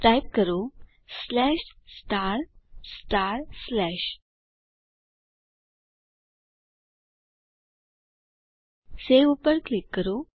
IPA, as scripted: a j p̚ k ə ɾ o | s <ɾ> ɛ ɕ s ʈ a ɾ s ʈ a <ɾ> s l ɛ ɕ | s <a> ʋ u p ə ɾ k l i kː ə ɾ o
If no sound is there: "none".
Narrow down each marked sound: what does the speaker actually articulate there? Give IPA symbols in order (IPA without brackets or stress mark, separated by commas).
l, ɾ, e